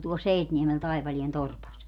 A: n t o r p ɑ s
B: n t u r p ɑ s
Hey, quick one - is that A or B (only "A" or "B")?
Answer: A